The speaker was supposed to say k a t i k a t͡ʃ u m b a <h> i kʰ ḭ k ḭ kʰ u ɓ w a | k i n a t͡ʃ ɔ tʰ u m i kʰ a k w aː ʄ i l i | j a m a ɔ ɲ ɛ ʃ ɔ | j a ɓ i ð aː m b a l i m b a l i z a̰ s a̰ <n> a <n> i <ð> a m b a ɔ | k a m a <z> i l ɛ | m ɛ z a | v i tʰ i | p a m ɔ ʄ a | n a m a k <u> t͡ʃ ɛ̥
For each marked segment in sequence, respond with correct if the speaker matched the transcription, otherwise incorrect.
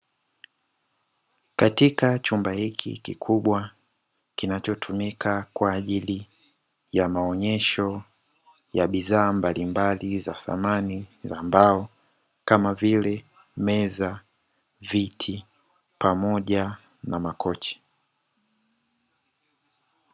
correct, incorrect: m, correct, incorrect: z, incorrect: v, incorrect: ɔ

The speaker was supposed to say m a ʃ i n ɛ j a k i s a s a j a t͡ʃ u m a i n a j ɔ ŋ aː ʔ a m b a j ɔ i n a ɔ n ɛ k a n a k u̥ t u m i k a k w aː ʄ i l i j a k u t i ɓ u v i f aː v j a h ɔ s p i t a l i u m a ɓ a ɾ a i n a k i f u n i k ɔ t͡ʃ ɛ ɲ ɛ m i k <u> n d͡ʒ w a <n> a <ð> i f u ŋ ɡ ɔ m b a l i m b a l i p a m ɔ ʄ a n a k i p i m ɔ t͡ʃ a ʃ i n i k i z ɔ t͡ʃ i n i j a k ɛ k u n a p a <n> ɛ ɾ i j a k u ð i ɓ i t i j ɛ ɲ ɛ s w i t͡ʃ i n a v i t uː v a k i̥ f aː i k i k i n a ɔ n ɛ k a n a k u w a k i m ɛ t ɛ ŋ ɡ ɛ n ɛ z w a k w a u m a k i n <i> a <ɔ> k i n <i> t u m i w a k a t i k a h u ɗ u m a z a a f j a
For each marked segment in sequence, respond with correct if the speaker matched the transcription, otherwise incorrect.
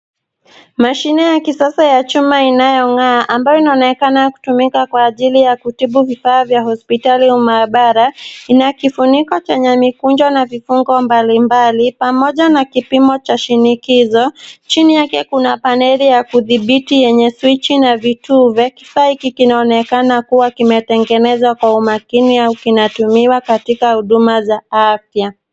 correct, correct, incorrect: v, correct, correct, incorrect: u, incorrect: a

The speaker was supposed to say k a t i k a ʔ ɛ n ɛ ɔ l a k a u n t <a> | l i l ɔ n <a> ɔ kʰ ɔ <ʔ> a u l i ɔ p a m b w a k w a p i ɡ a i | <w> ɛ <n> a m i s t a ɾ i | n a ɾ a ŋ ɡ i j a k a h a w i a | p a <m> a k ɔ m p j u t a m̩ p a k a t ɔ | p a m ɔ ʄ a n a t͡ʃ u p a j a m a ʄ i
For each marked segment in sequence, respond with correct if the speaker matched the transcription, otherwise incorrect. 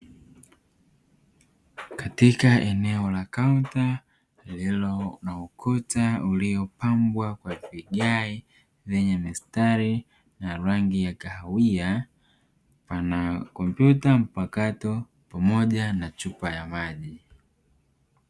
correct, correct, incorrect: t, incorrect: v, incorrect: ɲ, incorrect: n

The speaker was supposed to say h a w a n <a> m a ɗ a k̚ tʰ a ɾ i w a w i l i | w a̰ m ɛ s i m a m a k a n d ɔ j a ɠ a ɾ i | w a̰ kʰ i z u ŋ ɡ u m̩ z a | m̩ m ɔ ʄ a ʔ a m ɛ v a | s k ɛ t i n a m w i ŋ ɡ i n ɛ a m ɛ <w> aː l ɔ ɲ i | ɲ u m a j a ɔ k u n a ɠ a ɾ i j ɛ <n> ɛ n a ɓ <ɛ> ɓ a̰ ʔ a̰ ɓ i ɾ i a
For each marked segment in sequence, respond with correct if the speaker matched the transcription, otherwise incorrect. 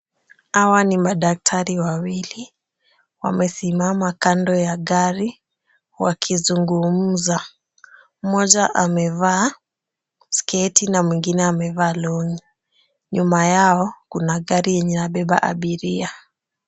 incorrect: i, incorrect: v, incorrect: ɲ, correct

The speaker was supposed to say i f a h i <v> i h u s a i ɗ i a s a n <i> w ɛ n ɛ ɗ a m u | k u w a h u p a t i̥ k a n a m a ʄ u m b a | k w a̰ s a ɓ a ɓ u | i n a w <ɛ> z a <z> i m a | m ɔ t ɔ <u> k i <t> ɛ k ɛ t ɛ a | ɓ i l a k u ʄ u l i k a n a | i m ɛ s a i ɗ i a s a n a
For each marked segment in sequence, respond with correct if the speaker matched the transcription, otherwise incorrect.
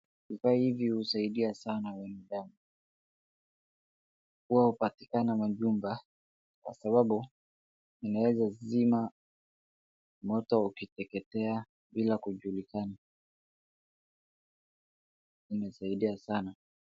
correct, incorrect: a, correct, correct, correct, correct

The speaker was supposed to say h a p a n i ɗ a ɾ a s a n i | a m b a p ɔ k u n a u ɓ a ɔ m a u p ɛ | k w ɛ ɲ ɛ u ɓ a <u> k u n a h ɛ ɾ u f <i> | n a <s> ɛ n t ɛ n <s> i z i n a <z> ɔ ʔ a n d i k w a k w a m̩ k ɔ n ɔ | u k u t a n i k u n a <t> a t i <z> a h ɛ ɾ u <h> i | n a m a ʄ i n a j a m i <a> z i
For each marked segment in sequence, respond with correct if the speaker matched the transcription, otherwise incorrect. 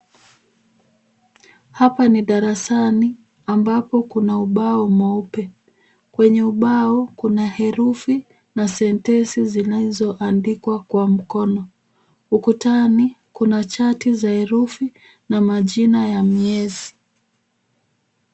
incorrect: ɔ, correct, correct, correct, correct, incorrect: t͡ʃ, correct, incorrect: f, incorrect: ɛ

